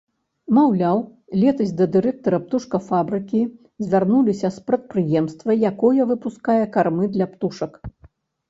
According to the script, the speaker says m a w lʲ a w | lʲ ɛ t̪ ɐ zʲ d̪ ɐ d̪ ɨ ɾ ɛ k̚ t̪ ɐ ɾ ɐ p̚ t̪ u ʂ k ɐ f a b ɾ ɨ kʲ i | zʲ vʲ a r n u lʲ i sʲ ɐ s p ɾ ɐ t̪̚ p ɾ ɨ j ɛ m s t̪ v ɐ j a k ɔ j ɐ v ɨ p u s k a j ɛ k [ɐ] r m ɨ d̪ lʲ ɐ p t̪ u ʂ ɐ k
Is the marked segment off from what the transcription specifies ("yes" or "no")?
yes